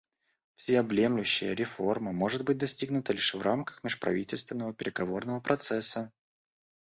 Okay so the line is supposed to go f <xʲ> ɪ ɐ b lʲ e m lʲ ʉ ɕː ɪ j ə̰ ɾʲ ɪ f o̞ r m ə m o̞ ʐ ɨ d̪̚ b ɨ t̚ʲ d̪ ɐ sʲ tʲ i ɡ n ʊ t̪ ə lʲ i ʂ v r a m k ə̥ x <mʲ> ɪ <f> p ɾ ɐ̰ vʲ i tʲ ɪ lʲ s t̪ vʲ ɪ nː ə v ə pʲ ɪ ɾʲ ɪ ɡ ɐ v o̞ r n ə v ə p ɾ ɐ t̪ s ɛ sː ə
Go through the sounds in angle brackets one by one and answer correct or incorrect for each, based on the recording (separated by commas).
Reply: incorrect, correct, incorrect